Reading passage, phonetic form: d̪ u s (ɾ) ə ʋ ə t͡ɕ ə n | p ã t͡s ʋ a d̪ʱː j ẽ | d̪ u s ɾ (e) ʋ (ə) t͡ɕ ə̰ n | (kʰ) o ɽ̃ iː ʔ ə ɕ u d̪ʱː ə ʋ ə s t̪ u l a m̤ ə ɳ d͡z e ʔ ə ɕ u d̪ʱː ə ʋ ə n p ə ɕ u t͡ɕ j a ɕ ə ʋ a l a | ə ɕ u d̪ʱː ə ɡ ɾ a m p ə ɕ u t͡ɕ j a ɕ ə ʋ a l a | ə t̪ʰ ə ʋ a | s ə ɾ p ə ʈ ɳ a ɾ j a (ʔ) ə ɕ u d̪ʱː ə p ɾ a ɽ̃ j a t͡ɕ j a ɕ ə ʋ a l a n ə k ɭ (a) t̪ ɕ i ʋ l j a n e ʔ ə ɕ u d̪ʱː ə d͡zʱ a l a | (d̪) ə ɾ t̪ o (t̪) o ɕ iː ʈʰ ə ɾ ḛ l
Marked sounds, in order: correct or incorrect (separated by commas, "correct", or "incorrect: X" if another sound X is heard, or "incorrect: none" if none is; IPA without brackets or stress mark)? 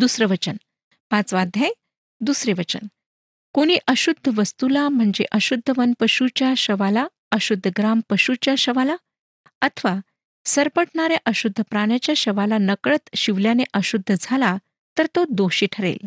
correct, correct, correct, incorrect: k, correct, incorrect: ə, incorrect: t̪, incorrect: d̪